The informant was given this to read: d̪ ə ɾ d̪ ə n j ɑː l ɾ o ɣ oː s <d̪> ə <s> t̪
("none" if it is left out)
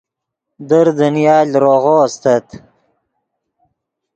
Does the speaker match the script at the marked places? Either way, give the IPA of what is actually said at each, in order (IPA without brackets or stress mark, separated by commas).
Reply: t̪, none